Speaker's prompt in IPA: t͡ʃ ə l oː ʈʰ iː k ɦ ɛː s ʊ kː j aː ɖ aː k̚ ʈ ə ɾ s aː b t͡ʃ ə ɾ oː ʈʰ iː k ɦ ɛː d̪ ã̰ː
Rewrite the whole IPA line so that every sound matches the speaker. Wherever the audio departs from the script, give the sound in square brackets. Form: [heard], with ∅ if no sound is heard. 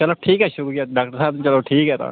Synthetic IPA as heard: t͡ʃ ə l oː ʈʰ iː k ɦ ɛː [ʃ] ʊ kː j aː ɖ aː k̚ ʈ ə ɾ s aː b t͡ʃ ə [l] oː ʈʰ iː k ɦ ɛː [t̪] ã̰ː

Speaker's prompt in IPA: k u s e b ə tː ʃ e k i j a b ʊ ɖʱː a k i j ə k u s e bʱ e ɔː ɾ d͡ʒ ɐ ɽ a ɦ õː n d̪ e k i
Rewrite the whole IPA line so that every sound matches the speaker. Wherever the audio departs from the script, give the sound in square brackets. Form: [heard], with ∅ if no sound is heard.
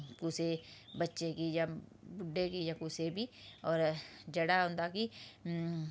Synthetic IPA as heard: k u s e b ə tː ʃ e k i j a b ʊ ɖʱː [e] k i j [a] k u s e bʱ [i] ɔː ɾ d͡ʒ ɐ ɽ a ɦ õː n d̪ [a] k i

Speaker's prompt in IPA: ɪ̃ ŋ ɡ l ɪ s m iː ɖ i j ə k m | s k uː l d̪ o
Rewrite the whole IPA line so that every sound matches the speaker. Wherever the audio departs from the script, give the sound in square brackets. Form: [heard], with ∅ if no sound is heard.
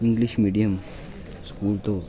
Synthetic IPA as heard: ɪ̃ ŋ ɡ l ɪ [ʃ] m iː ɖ i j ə [∅] m | s k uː l [t̪] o

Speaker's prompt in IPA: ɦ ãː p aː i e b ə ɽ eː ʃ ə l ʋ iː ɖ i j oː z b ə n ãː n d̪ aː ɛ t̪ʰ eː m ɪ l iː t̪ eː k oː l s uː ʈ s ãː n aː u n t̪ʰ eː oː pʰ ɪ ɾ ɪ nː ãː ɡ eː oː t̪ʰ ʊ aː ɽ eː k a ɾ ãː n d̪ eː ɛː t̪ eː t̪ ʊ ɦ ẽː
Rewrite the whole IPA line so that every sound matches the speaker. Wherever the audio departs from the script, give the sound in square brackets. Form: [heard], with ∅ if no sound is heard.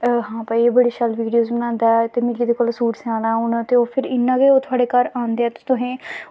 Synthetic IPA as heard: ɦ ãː p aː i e b ə ɽ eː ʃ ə l ʋ iː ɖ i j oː z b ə n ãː n d̪ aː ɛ [t̪] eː m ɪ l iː [d̪] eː k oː l s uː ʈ s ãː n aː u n [t̪] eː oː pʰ ɪ ɾ ɪ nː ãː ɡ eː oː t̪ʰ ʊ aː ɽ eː k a ɾ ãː n d̪ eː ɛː t̪ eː t̪ ʊ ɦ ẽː

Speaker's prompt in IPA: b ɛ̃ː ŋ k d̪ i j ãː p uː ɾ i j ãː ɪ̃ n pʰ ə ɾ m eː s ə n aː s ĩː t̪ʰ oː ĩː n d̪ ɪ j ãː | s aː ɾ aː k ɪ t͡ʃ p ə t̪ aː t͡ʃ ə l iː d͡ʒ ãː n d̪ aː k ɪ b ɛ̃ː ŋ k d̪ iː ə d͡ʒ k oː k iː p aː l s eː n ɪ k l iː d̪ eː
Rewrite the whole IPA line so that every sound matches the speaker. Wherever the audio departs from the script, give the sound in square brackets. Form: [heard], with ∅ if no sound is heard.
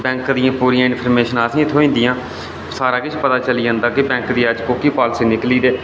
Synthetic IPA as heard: b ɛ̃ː ŋ k d̪ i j ãː p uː ɾ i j ãː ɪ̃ n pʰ ə ɾ m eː [ʃ] ə n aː s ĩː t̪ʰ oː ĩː n d̪ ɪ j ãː | s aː ɾ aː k ɪ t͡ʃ p ə t̪ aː t͡ʃ ə l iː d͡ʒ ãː n d̪ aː k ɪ b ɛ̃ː ŋ k d̪ iː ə d͡ʒ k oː k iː p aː l s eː n ɪ k l iː d̪ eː

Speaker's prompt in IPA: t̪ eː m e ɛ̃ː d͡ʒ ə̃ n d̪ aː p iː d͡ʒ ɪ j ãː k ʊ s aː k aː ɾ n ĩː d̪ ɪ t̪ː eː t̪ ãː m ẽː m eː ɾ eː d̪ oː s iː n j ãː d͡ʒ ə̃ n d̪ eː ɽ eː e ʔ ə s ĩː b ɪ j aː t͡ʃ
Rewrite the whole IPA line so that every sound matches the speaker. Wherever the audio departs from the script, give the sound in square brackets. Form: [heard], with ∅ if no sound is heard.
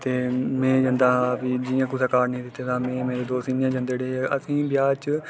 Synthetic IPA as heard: t̪ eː m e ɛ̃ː d͡ʒ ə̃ n d̪ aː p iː d͡ʒ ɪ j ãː k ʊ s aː k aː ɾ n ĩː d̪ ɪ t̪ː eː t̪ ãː m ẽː m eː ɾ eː d̪ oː s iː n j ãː d͡ʒ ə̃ n d̪ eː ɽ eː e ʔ ə s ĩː b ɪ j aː t͡ʃ

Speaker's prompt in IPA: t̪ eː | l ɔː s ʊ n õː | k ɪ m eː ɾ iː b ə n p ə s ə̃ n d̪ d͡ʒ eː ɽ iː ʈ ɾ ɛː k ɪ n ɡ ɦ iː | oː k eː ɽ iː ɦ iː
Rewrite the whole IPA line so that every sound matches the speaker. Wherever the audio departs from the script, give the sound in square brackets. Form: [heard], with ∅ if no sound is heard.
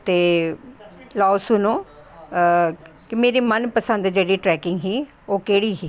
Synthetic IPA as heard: t̪ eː | l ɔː s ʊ n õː | k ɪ m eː ɾ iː [m] ə n p ə s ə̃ n d̪ d͡ʒ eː ɽ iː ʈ ɾ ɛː k ɪ [ŋ] ɡ ɦ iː | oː k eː ɽ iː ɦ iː

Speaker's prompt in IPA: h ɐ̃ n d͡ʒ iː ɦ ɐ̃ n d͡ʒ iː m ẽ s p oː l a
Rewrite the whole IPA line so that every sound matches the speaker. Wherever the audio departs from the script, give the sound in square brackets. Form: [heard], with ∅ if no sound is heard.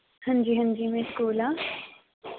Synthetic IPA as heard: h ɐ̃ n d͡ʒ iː ɦ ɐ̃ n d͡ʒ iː m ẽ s [k] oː l a

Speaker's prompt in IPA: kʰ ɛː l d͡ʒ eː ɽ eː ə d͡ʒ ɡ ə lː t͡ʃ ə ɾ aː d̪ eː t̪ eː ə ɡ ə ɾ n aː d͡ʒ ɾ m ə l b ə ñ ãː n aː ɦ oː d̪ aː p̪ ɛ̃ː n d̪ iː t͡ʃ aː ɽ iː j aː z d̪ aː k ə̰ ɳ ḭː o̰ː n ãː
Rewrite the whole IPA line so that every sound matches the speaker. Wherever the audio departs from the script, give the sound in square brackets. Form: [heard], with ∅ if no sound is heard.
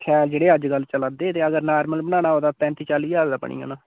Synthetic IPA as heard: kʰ ɛː l d͡ʒ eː ɽ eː ə d͡ʒ ɡ ə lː t͡ʃ ə [l] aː d̪ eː t̪ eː ə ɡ ə ɾ n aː [∅] ɾ m ə l b ə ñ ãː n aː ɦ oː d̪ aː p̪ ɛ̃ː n [t̪] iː t͡ʃ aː [l] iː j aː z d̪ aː [p] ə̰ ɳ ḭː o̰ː n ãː

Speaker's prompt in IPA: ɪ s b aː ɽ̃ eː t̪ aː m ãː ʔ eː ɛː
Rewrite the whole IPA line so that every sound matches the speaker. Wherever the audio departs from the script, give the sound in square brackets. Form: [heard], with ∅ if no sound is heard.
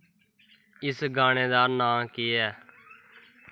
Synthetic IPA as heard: ɪ s [ɡ] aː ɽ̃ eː [d̪] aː [n] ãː [k] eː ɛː

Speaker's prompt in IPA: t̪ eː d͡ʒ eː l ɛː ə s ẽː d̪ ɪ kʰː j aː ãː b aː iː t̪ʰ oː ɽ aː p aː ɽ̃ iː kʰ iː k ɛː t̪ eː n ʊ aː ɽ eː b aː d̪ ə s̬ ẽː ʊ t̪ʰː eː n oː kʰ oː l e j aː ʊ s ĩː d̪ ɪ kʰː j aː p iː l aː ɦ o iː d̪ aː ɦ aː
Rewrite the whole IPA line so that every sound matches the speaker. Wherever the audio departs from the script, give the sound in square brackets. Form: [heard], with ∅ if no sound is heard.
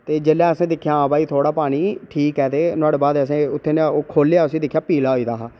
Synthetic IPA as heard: t̪ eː d͡ʒ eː l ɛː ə s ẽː d̪ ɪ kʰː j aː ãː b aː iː t̪ʰ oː ɽ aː p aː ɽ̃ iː [ʈʰ] iː k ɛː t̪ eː n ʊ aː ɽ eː b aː d̪ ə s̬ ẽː ʊ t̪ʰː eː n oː kʰ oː l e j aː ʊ s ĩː d̪ ɪ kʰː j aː p iː l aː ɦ o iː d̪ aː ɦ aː

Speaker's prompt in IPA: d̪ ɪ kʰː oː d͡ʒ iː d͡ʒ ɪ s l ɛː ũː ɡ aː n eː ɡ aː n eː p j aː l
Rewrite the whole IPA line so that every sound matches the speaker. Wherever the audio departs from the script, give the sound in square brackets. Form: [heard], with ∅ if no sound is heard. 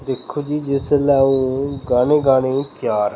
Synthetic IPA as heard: d̪ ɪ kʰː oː d͡ʒ iː d͡ʒ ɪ s l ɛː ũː ɡ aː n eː ɡ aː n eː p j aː [ɾ]

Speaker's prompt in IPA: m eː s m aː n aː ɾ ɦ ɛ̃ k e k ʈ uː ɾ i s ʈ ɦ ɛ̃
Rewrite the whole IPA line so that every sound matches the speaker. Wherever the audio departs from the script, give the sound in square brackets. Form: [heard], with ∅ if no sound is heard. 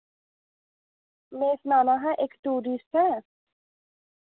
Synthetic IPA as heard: m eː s [n] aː n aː [∅] ɦ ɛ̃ [ʔ] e k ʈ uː ɾ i s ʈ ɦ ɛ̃

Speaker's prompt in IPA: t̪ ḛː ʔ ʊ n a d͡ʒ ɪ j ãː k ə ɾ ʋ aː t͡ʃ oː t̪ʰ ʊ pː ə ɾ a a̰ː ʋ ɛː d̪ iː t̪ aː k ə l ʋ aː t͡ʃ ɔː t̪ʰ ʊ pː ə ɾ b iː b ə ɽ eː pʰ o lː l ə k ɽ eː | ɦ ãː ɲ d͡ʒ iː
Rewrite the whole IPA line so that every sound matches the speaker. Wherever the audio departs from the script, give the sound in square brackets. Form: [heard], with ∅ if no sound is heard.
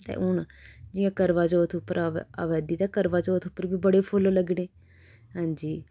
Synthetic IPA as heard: t̪ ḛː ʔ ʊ n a d͡ʒ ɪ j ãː k ə ɾ ʋ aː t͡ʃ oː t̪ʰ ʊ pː ə ɾ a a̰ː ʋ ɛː d̪ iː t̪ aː k ə [ɾ] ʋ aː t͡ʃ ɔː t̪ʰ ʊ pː ə ɾ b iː b ə ɽ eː pʰ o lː l ə [ɡ] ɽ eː | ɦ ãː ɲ d͡ʒ iː

